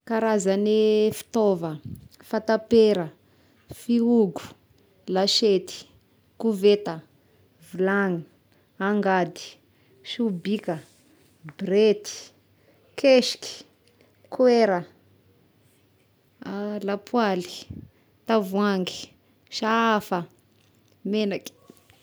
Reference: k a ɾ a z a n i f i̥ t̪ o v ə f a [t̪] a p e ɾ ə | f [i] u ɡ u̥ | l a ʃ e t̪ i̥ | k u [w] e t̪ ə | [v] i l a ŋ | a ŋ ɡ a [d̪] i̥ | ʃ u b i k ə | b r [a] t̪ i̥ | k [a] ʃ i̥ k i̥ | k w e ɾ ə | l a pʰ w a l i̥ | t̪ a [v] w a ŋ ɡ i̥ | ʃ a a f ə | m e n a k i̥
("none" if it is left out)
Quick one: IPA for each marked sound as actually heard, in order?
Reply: t̪, i, v, v, d̪, e, e, v

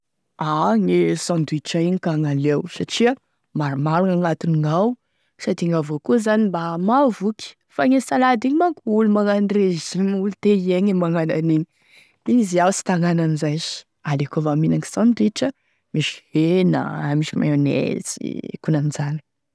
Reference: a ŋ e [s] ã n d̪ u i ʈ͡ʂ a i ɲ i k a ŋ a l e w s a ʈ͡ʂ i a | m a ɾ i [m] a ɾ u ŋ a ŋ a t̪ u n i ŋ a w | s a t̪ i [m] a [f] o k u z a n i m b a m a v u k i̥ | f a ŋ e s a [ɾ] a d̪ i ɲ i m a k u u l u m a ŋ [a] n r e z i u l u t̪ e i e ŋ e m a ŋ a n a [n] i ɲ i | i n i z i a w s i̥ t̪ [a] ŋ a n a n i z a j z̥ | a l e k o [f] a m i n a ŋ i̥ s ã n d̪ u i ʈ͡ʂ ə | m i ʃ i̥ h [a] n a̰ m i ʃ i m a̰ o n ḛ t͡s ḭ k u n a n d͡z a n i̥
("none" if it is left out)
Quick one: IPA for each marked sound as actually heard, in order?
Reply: s, m, ŋ, v, l, a, n, a, v, e

